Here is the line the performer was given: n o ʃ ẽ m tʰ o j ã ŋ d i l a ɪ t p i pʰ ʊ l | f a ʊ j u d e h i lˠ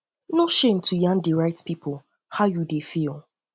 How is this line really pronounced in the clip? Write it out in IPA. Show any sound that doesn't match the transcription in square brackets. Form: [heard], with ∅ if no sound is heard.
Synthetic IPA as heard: n o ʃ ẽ m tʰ [u] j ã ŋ d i [ɹ] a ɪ t p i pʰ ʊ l | [h] a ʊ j u d e [f] i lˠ